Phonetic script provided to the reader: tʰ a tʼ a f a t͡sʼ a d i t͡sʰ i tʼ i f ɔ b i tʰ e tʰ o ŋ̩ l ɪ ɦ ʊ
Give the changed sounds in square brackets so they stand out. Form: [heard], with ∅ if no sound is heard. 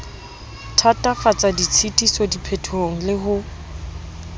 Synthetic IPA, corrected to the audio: tʰ a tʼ a f a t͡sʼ a d i t͡sʰ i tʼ i [s] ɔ [d] i [pʰ] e tʰ o ŋ̩ l ɪ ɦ ʊ